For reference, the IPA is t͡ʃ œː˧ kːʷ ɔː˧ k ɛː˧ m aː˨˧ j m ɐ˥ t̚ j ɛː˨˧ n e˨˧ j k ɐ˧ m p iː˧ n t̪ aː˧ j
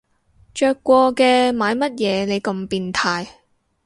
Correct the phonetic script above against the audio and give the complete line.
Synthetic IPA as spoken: t͡ʃ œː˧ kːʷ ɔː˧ k ɛː˧ m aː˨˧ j m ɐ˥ t̚ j ɛː˨˧ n e˨˧ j k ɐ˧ m p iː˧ n t̪ʰ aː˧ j

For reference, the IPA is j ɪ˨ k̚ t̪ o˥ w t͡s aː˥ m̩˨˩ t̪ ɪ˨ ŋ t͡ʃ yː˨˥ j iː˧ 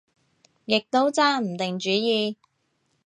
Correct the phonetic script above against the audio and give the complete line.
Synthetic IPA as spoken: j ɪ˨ k̚ t̪ o˥ w t͡s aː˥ m̩˨˩ t̪ ɪ˨ ŋ t͡ʃ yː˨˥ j iː˧

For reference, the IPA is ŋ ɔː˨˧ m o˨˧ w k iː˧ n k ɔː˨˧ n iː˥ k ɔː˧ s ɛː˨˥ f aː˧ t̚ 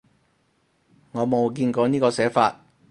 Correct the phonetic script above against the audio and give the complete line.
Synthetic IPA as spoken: ŋ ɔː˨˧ m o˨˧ w k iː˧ n k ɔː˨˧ n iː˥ k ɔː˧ s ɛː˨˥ f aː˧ t̚

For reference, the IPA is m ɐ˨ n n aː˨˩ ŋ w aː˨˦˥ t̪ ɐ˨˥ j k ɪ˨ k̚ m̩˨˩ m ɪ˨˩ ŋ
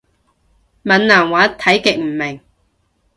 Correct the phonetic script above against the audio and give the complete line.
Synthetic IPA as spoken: m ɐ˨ n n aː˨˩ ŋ w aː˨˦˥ t̪ʰ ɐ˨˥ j k ɪ˨ k̚ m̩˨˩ m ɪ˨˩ ŋ

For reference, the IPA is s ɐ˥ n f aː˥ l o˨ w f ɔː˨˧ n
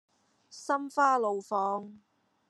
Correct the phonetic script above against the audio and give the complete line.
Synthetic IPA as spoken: s ɐ˥ m f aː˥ l o˨ w f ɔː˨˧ ŋ

